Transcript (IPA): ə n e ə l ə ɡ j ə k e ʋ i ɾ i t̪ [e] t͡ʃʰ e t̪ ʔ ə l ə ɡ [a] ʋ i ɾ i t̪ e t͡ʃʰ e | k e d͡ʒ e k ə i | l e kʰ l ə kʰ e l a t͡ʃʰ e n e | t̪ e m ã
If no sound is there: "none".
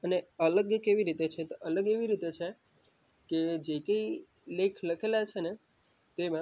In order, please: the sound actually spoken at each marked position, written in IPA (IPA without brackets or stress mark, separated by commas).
e, e